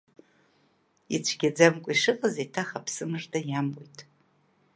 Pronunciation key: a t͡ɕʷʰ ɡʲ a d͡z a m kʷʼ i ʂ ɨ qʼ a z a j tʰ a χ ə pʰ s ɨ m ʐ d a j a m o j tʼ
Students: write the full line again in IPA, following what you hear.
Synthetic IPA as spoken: i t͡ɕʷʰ ɡʲ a d͡z a m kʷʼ i ʂ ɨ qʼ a z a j tʰ a χ a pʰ s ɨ m ʐ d a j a m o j tʼ